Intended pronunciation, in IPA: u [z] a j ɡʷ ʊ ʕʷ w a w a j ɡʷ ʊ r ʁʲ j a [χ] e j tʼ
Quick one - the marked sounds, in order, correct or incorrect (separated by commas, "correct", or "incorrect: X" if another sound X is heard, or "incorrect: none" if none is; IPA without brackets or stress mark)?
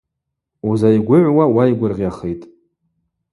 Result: correct, correct